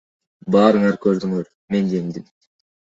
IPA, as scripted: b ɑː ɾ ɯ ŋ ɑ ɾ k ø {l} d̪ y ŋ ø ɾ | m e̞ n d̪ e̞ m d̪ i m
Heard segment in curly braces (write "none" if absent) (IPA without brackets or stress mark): ɾ